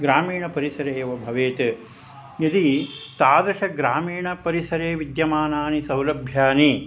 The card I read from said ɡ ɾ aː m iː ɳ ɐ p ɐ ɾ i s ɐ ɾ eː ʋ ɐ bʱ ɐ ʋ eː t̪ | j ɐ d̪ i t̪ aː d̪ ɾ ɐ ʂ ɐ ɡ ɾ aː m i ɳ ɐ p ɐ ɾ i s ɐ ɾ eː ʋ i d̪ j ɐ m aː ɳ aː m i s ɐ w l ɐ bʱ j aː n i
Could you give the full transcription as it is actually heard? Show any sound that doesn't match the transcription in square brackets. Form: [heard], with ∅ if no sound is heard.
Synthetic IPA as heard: ɡ ɾ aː m iː ɳ ɐ p ɐ ɾ i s ɐ ɾ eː ʋ ɐ bʱ ɐ ʋ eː t̪ | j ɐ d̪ i t̪ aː d̪ ɾ ɐ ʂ ɐ ɡ ɾ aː m [iː] ɳ ɐ p ɐ ɾ i s ɐ ɾ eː ʋ i d̪ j ɐ m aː [n] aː [n] i s ɐ w l ɐ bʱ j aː n i